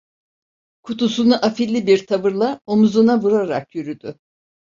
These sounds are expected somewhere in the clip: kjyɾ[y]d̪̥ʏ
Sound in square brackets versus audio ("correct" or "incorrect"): correct